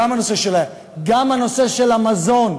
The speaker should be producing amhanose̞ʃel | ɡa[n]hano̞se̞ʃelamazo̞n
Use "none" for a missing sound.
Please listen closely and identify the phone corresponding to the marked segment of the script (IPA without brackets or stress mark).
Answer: m